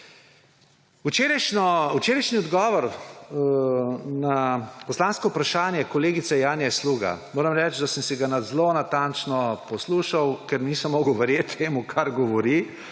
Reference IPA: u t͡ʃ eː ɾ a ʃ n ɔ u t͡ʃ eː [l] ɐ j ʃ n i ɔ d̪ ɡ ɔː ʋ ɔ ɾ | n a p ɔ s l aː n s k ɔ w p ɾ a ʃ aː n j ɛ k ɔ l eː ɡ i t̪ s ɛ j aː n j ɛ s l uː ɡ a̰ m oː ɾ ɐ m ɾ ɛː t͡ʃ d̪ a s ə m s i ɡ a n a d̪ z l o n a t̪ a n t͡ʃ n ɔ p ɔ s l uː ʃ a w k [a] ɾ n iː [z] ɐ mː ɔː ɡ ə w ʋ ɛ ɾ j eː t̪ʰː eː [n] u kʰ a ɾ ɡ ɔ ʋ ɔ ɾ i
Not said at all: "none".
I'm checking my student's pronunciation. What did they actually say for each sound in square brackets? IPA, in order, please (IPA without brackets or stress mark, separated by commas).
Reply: ɾ, ɛ, s, m